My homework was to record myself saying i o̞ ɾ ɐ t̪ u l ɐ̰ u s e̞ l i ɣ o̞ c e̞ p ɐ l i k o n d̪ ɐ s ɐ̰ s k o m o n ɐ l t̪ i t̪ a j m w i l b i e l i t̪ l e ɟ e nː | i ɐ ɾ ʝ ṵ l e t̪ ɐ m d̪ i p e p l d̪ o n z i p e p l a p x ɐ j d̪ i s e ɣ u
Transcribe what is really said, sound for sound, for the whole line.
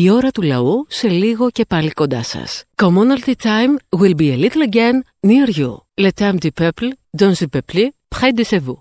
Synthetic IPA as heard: i o̞ ɾ ɐ t̪ u l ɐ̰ u s e̞ l i ɣ o̞ c e̞ p ɐ l i k o n d̪ ɐ s ɐ̰ s k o m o n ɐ l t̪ i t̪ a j m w i l b i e l i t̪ l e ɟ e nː | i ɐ ɾ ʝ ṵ l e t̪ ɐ m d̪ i p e p l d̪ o n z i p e p l i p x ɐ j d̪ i s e v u